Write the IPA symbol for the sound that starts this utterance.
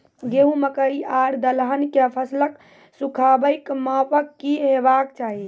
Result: ɡ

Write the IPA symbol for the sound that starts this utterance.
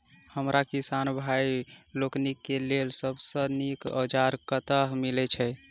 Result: h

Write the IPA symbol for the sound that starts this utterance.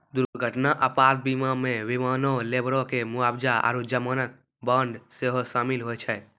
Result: d̪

